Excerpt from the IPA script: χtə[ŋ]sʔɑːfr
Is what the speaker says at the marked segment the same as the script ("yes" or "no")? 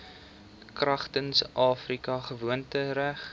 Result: no